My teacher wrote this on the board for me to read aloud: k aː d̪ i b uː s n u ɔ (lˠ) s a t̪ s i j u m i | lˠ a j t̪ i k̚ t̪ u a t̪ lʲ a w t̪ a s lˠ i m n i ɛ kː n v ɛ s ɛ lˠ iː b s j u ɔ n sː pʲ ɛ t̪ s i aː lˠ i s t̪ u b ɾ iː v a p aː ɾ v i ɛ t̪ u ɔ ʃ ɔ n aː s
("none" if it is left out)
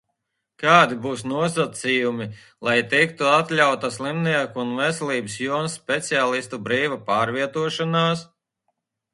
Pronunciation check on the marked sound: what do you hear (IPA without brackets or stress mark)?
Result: none